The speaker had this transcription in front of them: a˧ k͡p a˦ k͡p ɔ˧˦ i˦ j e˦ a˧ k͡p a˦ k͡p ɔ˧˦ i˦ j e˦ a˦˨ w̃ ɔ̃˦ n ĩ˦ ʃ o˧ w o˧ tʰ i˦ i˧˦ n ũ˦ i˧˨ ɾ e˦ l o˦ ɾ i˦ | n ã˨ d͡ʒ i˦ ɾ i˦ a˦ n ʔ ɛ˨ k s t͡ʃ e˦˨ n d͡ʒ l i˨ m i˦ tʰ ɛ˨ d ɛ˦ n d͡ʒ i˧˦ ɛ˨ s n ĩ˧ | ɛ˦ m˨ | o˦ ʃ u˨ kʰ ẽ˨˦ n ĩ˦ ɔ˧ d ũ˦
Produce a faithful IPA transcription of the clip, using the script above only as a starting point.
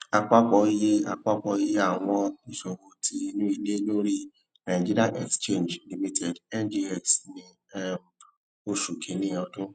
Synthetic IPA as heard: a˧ k͡p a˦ k͡p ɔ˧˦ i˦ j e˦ a˧ k͡p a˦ k͡p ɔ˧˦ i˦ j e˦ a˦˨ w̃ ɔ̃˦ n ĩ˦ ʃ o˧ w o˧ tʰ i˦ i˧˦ n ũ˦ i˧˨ l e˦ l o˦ ɾ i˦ | n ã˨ d͡ʒ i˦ ɾ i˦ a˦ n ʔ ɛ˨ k s t͡ʃ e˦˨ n d͡ʒ l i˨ m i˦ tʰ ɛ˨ d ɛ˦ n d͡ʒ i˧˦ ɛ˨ s n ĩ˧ | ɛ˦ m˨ | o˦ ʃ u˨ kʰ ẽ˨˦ n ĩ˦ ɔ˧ d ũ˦